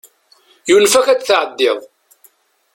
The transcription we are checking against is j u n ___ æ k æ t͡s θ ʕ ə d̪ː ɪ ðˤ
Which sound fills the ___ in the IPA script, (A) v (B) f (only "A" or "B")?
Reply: B